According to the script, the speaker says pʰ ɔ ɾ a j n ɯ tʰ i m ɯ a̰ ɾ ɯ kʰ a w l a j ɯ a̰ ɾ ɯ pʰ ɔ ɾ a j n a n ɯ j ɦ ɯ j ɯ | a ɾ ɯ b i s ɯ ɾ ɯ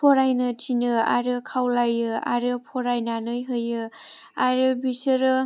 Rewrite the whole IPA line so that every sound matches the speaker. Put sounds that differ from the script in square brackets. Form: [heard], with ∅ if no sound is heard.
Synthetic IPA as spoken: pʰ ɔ ɾ a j n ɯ tʰ i [n] ɯ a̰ ɾ ɯ kʰ a w l a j ɯ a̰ ɾ ɯ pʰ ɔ ɾ a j n a n ɯ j ɦ ɯ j ɯ | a ɾ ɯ b i s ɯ ɾ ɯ

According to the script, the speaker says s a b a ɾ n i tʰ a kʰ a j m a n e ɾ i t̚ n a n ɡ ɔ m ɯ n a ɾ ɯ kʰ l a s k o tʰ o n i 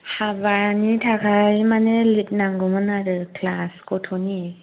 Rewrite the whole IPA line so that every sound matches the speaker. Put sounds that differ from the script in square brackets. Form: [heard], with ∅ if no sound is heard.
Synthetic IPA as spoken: [h] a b a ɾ n i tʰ a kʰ a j m a n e [l] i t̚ n a [ŋ] ɡ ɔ m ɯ n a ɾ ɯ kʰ l a s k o tʰ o n i

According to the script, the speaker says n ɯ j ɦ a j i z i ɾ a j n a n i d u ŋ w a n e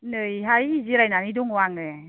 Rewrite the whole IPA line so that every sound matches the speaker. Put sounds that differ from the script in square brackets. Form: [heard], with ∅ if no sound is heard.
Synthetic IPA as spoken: n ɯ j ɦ a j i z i ɾ a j n a n i d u ŋ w a [ŋ] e

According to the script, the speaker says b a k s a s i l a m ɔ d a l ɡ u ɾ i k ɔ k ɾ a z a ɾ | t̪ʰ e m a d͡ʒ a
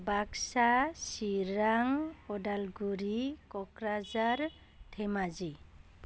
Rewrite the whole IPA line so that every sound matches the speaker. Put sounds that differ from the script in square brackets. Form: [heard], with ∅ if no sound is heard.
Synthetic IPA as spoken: b a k s a s i [ɾ] a [ŋ] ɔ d a l ɡ u ɾ i k ɔ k ɾ a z a ɾ | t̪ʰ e m a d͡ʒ [i]

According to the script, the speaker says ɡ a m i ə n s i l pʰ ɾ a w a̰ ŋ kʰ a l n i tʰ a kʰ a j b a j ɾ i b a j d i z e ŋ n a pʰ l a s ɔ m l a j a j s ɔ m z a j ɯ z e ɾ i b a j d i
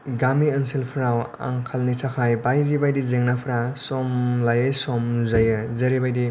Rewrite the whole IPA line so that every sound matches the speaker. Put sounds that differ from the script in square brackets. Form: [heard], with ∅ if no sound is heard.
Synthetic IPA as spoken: ɡ a m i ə n s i l pʰ ɾ a w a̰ ŋ kʰ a l n i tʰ a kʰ a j b a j ɾ i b a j d i z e ŋ n a pʰ [ɾ] a s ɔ m l a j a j s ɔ m z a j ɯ z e ɾ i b a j d i

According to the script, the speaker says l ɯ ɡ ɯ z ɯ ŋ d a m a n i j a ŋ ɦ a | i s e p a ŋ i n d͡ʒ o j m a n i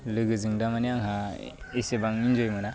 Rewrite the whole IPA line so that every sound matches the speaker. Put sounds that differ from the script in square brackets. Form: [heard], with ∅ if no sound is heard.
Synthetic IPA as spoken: l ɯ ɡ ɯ z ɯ ŋ d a m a n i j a ŋ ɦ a | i s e [b] a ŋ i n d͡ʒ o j m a n [a]

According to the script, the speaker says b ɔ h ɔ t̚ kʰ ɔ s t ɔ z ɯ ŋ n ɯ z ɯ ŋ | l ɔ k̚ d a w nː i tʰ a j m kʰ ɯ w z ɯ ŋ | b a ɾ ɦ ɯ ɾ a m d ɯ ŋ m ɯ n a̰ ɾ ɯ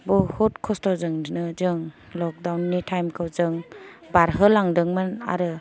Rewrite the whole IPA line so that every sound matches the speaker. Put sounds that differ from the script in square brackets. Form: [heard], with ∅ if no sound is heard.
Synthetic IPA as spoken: b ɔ h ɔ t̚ kʰ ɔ s t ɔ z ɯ ŋ n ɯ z ɯ ŋ | l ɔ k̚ d a w nː i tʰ a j m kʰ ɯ w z ɯ ŋ | b a ɾ ɦ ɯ [l] a [ŋ] d ɯ ŋ m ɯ n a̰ ɾ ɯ

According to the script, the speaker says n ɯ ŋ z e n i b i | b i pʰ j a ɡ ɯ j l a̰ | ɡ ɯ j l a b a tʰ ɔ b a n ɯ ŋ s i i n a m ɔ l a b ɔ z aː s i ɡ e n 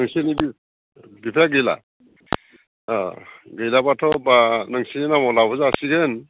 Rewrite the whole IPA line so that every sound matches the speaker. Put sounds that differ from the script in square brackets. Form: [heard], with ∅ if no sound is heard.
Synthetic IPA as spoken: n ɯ ŋ [s] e n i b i | b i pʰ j a ɡ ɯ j l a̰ | ɡ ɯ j l a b a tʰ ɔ b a n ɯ ŋ s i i n a m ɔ l a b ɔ z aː s i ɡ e n

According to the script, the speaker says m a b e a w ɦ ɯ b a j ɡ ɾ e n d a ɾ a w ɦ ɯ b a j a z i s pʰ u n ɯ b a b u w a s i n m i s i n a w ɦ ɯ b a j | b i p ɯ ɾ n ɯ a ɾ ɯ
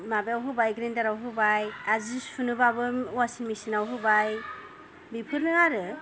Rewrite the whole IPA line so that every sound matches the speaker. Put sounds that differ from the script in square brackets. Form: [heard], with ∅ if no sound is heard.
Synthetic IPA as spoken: m a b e a w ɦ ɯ b a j ɡ ɾ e n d a ɾ a w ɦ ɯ b a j a z i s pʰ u n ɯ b a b [ɯ] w a s i n m i s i n a w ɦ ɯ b a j | b i [pʰ] ɯ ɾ n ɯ a ɾ ɯ

